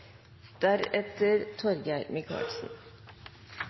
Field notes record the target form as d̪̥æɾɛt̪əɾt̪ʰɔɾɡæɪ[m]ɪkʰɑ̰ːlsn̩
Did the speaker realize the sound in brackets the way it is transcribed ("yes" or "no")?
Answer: yes